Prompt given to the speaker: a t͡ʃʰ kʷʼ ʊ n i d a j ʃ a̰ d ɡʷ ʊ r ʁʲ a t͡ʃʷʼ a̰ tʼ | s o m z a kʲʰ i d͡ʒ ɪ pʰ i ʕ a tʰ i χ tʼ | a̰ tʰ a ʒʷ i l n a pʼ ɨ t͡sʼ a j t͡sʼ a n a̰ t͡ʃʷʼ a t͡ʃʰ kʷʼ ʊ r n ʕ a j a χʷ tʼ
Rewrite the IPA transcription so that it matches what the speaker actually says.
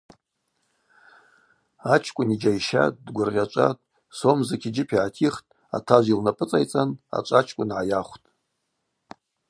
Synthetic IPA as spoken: a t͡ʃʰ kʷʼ ʊ n i d͡ʒ a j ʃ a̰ d ɡʷ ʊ r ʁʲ a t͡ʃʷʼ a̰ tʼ | s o m z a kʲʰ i d͡ʒ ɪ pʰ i ʕ a tʰ i χ tʼ | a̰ tʰ a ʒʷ i l n a pʼ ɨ t͡sʼ a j t͡sʼ a n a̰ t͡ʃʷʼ a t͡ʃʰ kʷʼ ʊ n ʕ a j a χʷ tʼ